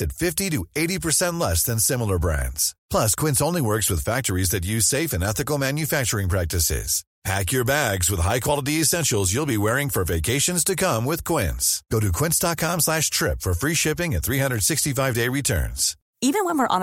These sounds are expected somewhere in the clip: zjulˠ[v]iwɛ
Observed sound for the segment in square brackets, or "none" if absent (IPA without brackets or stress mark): b